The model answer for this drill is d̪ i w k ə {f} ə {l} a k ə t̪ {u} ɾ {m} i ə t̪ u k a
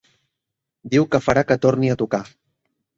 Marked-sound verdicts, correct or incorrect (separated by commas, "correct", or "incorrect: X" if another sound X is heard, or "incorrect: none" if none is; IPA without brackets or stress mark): correct, incorrect: ɾ, incorrect: o, incorrect: n